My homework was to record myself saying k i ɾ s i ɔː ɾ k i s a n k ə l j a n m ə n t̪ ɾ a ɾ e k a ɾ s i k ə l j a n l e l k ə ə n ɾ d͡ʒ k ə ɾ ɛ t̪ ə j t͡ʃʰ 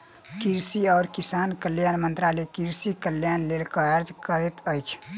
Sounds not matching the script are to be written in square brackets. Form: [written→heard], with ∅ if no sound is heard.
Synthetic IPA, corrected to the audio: k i ɾ s i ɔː ɾ k i s a n k ə l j a n m ə n t̪ ɾ a [ɾ→l] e k [a→i] ɾ s i k ə l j a n l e l k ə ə [n→∅] ɾ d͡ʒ k ə ɾ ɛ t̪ ə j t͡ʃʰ